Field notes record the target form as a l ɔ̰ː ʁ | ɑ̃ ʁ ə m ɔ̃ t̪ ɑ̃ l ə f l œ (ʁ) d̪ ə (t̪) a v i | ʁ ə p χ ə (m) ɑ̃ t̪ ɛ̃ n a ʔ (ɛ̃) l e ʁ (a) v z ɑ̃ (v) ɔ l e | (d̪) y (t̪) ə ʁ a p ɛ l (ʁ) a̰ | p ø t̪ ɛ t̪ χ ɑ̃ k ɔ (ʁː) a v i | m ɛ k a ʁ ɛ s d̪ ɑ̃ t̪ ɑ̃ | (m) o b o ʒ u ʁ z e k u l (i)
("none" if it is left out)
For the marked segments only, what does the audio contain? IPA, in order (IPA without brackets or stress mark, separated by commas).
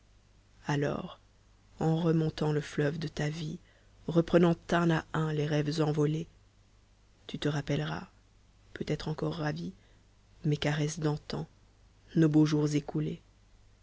v, t̪, n, ɛ̃, ɛ, v, t̪, t̪, ʁ, ʁː, n, e